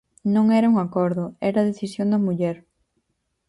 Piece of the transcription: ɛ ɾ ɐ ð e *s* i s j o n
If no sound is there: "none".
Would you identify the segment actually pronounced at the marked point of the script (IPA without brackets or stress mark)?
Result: θ